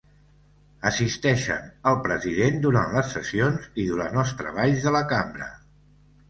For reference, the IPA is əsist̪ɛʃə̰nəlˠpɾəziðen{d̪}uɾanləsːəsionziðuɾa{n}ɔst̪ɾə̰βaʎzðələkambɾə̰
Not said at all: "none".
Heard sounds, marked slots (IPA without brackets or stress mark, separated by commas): d̪, n